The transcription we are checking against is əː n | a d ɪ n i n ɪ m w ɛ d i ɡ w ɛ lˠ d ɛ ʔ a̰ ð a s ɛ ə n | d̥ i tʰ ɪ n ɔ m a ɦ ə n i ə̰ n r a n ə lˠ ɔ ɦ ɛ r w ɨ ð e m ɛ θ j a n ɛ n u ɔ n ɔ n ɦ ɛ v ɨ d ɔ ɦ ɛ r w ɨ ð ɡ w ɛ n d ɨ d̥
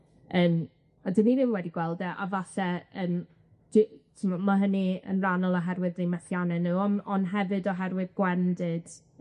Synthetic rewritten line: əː n | a d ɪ n i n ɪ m w ɛ d i ɡ w ɛ lˠ d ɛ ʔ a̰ v a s ɛ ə n | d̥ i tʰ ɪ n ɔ m a ɦ ə n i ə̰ n r a n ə lˠ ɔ ɦ ɛ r w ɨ ð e m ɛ θ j a n ɛ n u ɔ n ɔ n ɦ ɛ v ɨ d ɔ ɦ ɛ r w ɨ ð ɡ w ɛ n d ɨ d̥